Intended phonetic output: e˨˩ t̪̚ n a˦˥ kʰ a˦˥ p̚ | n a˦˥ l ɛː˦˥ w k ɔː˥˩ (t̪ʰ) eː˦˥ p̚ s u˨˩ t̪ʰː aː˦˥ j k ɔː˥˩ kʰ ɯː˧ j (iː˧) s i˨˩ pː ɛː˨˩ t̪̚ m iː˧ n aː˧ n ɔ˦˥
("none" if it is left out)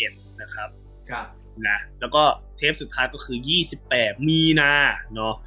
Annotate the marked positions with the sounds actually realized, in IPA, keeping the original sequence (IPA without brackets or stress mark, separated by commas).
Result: t̪ʰ, iː˥˩